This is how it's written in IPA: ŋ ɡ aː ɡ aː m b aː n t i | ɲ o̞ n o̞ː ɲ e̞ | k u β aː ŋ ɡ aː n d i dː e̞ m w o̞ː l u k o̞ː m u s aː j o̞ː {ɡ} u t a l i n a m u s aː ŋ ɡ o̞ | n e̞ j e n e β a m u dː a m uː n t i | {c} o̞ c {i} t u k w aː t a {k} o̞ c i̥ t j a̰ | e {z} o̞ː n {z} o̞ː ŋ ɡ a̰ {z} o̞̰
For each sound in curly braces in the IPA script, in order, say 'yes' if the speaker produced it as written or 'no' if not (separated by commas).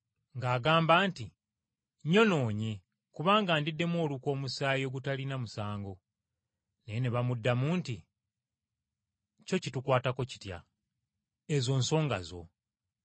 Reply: yes, yes, yes, yes, yes, no, yes